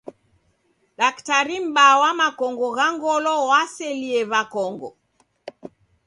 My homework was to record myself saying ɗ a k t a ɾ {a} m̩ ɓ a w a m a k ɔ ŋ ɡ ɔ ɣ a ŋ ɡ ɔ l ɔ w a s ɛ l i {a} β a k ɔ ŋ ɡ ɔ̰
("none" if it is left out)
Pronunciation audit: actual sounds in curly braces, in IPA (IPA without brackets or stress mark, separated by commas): i, ɛ